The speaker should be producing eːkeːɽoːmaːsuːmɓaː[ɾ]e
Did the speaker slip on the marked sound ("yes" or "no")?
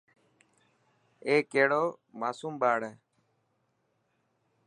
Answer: yes